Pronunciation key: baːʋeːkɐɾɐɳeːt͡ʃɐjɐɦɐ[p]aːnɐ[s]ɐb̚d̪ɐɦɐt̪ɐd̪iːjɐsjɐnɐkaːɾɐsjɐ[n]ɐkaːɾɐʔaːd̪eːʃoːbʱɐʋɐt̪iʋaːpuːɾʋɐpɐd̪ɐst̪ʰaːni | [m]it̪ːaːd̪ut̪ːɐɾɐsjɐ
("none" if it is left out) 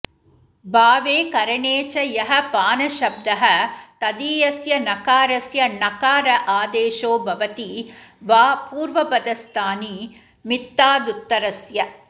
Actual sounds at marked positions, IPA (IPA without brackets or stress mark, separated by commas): p, ʃ, n, m